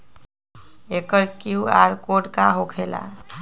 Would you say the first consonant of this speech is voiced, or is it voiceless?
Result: voiceless